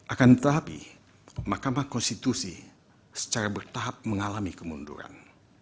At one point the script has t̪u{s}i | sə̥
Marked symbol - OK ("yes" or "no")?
yes